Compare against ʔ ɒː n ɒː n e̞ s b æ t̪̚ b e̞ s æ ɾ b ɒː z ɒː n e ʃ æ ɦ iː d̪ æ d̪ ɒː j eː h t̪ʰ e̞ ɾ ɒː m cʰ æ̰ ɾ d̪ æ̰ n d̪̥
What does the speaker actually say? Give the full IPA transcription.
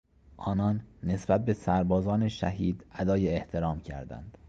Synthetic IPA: ʔ ɒː n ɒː nː e̞ s b æ t̪̚ b e̞ s æ ɾ b ɒː z ɒː n e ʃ æ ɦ iː d̪ æ d̪ ɒː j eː h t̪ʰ e̞ ɾ ɒː m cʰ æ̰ ɾ d̪ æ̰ n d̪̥